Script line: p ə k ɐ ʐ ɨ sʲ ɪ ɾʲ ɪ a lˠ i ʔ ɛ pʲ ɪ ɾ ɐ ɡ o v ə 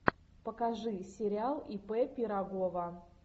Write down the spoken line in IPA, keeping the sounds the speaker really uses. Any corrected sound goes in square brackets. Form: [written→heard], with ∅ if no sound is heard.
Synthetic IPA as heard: p ə k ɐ ʐ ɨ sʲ ɪ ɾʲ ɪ a lˠ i [ʔ→p] ɛ pʲ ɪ ɾ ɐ ɡ o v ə